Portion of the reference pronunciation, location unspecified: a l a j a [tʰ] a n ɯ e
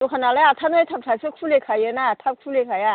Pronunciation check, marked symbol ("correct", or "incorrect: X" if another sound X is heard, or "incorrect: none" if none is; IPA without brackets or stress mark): correct